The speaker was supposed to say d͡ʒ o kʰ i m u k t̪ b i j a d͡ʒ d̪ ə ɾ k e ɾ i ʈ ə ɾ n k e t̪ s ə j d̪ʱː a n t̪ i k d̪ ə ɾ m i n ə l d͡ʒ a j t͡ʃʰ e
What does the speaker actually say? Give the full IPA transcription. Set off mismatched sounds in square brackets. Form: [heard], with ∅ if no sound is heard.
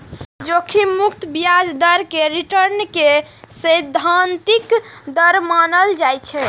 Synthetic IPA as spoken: d͡ʒ o kʰ i m u k t̪ b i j a d͡ʒ d̪ ə ɾ k e ɾ i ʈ ə ɾ n k e [∅] s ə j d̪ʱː a n t̪ i k d̪ ə ɾ m [a] n ə l d͡ʒ a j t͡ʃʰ [ɛ]